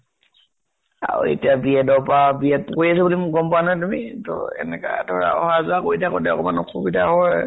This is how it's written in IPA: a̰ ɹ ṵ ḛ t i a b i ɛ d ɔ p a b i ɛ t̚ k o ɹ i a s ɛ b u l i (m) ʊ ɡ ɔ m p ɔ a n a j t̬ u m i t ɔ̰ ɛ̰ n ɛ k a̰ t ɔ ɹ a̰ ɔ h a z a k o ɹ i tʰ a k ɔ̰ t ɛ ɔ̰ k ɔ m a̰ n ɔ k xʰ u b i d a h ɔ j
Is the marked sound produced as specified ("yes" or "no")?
yes